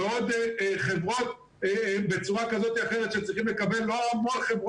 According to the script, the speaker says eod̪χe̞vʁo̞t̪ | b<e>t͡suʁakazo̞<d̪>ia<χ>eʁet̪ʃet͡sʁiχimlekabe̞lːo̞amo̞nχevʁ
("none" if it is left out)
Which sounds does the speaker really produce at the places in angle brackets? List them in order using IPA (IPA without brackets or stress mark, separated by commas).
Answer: e, t̪, χ